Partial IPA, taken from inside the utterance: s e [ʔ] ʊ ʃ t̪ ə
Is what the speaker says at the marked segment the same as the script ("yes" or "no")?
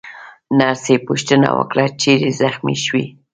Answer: no